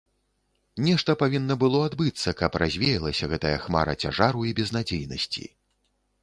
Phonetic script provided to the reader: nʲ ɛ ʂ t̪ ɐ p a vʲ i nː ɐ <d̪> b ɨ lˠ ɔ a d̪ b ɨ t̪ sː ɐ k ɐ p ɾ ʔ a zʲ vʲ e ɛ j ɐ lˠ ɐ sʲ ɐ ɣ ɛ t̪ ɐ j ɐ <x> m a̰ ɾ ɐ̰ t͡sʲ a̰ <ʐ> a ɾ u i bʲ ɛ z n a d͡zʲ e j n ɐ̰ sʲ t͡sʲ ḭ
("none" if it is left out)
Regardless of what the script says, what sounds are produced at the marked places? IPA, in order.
none, x, ʐ

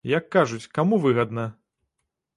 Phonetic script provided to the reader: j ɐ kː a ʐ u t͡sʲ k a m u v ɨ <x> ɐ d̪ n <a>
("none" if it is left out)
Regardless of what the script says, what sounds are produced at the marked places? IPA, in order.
ɣ, ɐ

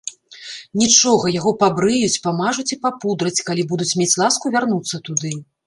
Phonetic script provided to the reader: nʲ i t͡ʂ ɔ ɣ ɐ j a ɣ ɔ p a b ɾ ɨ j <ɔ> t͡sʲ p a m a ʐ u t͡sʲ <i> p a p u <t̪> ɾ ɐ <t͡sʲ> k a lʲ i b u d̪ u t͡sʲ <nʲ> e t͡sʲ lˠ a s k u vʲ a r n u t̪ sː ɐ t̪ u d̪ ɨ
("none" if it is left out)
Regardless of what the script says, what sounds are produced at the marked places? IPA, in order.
u, i, d̪, t͡sʲ, mʲ

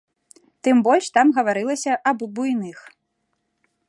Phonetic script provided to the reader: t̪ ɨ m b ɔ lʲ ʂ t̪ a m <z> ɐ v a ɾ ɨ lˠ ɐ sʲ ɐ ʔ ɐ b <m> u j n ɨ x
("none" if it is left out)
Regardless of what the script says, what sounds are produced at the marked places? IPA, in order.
ɣ, b

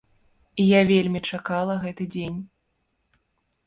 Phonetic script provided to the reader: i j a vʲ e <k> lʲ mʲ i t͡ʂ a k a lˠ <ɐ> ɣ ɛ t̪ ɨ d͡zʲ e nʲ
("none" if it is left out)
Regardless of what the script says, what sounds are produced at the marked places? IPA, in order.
none, ɐ

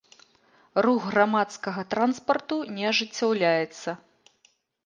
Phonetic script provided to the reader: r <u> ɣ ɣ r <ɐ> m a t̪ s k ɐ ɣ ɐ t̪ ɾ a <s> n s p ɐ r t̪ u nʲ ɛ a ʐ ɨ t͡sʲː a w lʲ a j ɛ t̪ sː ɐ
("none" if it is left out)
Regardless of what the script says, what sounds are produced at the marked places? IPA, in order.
u, a, none

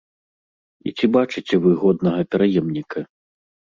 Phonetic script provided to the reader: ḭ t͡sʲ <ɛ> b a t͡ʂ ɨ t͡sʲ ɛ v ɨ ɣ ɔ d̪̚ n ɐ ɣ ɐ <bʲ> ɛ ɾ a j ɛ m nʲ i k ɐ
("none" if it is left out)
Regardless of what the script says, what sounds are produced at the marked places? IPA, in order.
i, pʲ

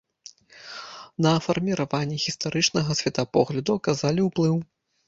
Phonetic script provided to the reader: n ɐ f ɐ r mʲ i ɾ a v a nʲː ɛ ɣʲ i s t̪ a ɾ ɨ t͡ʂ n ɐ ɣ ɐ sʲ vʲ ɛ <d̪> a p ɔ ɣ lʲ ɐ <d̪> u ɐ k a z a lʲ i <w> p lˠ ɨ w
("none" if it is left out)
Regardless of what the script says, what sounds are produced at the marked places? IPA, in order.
t̪, d̪, w

